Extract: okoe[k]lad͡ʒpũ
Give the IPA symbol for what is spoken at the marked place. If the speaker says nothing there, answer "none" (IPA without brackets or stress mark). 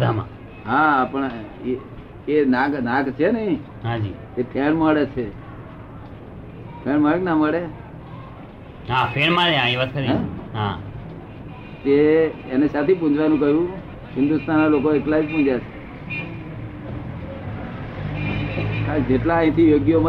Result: k